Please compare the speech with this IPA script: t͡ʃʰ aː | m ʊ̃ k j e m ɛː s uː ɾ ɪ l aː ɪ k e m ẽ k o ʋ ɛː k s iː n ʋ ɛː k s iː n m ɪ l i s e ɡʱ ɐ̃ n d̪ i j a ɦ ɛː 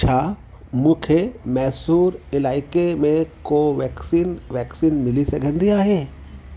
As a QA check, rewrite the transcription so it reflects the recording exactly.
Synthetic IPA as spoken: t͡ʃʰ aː | m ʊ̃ kʰ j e m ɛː s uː ɾ ɪ l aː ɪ k e m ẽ k o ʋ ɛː k s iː n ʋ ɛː k s iː n m ɪ l i s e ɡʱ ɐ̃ n d̪ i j a ɦ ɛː